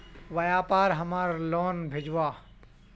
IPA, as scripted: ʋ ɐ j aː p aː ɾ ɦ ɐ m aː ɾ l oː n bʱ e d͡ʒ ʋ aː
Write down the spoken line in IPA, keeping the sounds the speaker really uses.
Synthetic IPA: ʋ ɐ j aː p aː ɾ ɦ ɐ m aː ɾ l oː n bʱ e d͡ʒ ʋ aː